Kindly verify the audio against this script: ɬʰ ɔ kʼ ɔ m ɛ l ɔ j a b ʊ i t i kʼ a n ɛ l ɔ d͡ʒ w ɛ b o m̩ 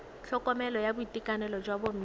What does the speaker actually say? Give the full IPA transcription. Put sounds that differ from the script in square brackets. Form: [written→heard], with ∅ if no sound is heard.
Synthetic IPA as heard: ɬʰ ɔ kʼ ɔ m ɛ l ɔ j a b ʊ i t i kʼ a n ɛ l ɔ d͡ʒ w [ɛ→a] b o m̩